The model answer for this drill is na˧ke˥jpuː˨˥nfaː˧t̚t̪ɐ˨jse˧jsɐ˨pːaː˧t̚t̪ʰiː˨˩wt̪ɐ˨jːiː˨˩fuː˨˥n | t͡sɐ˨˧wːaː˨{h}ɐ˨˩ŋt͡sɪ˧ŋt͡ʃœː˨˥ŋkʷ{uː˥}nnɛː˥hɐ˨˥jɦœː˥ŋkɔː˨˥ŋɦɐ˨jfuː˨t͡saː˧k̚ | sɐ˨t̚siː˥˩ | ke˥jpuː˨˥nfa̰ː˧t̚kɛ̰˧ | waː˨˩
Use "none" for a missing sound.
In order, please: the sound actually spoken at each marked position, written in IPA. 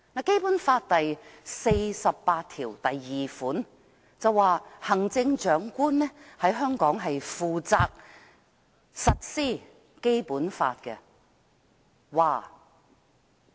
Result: h, uː˥

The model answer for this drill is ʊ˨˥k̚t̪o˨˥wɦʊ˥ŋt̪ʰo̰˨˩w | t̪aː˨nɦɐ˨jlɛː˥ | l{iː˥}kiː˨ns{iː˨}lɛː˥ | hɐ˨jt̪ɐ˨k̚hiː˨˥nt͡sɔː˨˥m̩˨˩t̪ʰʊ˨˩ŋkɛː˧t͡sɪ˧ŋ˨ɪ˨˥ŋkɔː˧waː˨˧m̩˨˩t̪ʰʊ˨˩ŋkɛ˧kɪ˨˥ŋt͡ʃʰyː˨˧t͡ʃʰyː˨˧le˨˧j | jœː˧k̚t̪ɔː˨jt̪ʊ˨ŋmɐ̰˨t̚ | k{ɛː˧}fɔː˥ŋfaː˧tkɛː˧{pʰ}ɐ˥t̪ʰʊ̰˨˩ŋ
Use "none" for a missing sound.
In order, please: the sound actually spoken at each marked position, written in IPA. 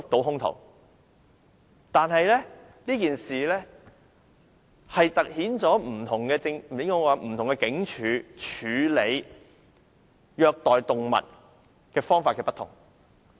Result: iː˥, iː˨, ɛː˧, p

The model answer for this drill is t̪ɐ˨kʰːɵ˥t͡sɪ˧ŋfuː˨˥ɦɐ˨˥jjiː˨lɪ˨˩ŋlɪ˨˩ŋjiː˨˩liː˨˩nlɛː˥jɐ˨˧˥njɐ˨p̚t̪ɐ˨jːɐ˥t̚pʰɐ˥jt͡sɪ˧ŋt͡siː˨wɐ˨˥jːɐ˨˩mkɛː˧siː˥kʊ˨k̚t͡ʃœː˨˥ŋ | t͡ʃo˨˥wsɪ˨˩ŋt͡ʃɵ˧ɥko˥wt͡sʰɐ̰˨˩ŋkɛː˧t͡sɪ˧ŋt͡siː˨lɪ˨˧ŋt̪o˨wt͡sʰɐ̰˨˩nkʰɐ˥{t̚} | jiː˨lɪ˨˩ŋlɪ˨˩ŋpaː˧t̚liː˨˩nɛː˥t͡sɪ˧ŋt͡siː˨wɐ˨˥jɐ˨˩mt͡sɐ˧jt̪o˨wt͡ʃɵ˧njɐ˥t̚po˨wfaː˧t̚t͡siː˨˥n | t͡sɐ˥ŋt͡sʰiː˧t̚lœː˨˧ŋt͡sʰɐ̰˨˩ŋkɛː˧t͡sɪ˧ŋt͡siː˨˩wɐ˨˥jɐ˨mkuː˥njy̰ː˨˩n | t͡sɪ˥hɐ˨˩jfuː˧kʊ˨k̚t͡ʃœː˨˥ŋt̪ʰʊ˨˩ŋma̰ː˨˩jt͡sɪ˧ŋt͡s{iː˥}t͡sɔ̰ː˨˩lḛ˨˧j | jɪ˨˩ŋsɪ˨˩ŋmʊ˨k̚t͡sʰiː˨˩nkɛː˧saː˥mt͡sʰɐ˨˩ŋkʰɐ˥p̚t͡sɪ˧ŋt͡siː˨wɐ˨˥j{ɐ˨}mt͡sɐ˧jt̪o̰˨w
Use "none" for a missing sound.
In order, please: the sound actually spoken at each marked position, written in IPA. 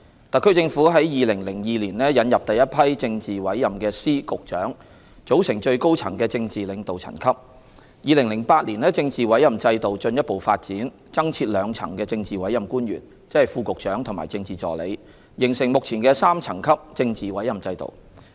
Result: p̚, iː˨, ɐ˨

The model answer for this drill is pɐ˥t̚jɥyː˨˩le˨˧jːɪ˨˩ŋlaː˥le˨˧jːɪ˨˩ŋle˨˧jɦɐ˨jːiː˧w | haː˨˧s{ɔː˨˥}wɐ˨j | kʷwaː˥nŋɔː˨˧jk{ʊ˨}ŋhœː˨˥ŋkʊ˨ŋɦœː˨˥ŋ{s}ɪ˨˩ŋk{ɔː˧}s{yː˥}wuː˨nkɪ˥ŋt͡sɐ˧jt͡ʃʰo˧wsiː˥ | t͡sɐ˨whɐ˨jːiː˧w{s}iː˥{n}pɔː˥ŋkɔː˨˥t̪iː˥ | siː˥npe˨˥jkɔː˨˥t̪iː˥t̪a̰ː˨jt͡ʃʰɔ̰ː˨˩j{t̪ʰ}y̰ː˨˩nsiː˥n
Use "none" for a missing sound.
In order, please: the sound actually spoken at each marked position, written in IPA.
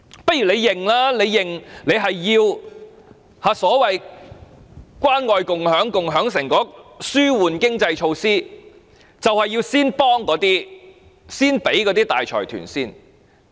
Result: ɔː˨˥, ʊ˨, s, ɔː˨˥, yː˥, s, n, t̪ʰ

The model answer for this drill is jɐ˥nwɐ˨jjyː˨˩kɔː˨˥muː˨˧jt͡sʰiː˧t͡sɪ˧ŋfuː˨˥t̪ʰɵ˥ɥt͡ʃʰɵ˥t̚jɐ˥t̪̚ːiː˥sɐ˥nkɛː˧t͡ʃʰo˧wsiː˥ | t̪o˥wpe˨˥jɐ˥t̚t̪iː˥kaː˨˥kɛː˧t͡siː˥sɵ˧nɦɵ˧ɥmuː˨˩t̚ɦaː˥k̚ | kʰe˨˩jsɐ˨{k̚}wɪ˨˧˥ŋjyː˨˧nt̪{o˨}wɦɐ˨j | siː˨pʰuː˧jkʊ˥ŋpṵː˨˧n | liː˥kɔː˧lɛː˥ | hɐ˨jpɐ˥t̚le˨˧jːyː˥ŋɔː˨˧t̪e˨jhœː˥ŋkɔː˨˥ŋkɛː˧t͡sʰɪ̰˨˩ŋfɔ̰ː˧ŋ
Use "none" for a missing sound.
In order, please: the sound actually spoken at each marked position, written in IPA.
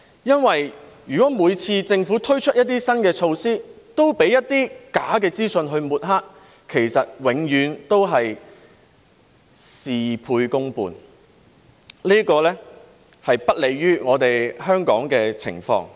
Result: t̚, o˥

